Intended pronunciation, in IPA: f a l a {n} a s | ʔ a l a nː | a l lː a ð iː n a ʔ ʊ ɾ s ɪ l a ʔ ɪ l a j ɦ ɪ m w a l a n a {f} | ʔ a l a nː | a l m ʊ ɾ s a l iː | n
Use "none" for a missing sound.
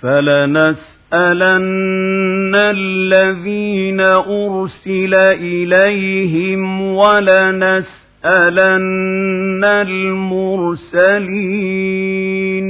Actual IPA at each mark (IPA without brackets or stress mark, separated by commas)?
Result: n, s